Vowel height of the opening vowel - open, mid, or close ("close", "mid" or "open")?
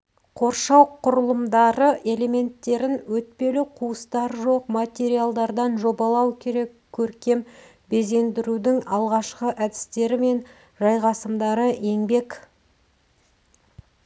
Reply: mid